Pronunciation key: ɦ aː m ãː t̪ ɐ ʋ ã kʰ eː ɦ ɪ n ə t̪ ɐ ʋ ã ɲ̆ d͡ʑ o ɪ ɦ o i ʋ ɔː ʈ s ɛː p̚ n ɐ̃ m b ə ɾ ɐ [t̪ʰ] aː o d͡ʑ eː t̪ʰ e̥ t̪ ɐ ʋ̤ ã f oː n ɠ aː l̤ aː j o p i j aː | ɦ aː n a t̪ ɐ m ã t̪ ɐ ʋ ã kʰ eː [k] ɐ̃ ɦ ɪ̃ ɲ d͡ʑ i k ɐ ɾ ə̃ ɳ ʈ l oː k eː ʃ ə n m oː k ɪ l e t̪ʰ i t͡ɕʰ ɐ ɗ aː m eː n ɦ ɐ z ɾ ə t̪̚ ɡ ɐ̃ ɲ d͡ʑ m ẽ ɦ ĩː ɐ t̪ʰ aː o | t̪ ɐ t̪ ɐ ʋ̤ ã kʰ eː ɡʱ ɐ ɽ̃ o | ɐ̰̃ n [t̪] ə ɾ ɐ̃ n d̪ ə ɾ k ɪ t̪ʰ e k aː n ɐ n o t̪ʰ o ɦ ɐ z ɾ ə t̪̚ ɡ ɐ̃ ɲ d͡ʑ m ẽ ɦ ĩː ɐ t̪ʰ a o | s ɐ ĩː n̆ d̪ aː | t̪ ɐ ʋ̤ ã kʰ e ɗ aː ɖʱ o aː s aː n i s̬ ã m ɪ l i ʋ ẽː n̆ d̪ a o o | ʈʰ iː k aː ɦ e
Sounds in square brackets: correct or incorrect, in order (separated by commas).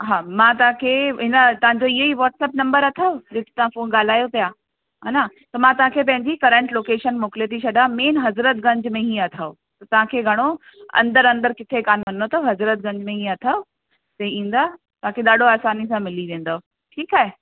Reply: correct, incorrect, incorrect